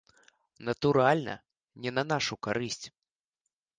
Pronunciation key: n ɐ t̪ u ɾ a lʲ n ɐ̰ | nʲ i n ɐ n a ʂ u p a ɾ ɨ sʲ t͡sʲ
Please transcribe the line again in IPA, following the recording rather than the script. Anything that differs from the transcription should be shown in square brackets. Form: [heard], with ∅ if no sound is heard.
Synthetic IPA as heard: n ɐ t̪ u ɾ a lʲ n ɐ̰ | nʲ [ɛ] n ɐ n a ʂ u [k] a ɾ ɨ sʲ t͡sʲ

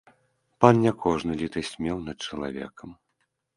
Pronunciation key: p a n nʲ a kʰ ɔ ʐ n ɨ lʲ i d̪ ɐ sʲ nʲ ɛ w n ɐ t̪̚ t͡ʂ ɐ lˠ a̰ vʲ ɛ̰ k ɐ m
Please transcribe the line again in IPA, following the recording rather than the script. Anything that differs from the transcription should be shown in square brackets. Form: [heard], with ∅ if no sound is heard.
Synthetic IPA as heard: p a n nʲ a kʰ ɔ ʐ n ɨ lʲ i [t̪] ɐ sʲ [mʲ] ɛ w n ɐ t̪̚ t͡ʂ ɐ lˠ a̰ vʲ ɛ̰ k ɐ m

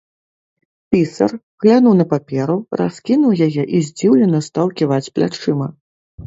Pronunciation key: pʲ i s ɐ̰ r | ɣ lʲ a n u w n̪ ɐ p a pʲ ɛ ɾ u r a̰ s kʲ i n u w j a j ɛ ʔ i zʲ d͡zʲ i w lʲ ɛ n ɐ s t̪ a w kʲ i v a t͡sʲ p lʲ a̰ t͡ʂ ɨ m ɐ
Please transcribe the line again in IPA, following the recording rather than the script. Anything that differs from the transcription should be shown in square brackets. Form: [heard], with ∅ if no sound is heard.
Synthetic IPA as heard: pʲ i s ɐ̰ r | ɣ lʲ a n u w n̪ ɐ p a pʲ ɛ ɾ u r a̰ s kʲ i n u w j a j ɛ ʔ i zʲ d͡zʲ i w lʲ ɛ n ɐ s t̪ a w kʲ i v a t͡sʲ p lʲ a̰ t͡ʂ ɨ m ɐ

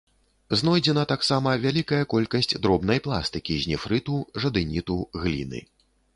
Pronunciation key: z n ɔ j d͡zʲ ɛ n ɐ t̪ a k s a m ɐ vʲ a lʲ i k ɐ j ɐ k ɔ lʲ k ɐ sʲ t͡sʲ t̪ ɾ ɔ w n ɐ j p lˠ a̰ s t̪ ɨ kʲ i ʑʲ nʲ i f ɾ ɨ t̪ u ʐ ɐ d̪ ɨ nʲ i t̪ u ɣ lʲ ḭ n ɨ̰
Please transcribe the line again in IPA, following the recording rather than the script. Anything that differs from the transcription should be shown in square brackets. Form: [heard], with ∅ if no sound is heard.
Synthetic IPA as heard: z n ɔ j d͡zʲ ɛ n ɐ t̪ a k s a m ɐ vʲ a lʲ i k ɐ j ɐ k ɔ lʲ k ɐ sʲ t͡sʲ [d̪] ɾ ɔ [b] n ɐ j p lˠ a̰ s t̪ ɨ kʲ i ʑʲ nʲ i f ɾ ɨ t̪ u ʐ ɐ d̪ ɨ nʲ i t̪ u ɣ lʲ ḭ n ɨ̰

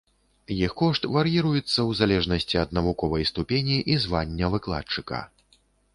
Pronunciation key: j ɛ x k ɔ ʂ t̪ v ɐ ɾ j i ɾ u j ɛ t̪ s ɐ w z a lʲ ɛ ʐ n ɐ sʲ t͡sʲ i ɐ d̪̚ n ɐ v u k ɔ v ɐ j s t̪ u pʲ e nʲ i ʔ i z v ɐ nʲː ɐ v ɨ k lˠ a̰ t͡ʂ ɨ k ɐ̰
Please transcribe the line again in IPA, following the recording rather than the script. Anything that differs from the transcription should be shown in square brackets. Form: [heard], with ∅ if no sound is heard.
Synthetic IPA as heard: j [i] x k ɔ ʂ t̪ v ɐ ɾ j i ɾ u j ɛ t̪ [sː] ɐ w z a lʲ ɛ ʐ n ɐ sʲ t͡sʲ i ɐ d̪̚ n ɐ v u k ɔ v ɐ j s t̪ u pʲ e nʲ i ʔ i z v [a] nʲː ɐ v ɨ k lˠ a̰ t͡ʂ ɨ k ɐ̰

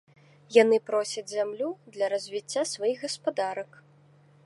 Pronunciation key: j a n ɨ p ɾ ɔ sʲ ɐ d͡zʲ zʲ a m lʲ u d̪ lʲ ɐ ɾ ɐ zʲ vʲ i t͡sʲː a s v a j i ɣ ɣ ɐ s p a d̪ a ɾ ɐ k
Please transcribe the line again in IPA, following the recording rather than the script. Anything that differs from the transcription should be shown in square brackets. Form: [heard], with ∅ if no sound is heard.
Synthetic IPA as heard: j a n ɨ p ɾ ɔ sʲ ɐ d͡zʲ zʲ a m lʲ u d̪ lʲ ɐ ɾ ɐ zʲ vʲ i t͡sʲː a s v a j i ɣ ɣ ɐ s p a d̪ a ɾ ɐ k

